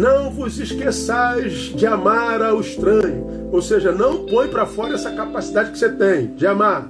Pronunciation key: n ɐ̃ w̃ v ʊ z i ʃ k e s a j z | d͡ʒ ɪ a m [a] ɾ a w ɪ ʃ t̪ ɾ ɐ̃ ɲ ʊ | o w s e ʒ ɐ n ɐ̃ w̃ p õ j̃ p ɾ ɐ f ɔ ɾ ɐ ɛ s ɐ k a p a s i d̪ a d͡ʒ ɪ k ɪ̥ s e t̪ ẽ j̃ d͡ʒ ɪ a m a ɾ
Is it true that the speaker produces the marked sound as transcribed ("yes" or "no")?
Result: yes